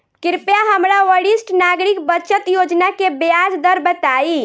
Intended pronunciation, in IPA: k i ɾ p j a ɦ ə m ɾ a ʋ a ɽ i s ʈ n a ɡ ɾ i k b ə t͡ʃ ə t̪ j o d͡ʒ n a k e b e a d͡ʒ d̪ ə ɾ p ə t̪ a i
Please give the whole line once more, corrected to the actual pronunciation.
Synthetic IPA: k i ɾ p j a ɦ ə m ɾ a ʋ ə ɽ i s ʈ n a ɡ ɾ i k b ə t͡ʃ ə t̪ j o d͡ʒ n a k e b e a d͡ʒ d̪ ə ɾ b ə t̪ a i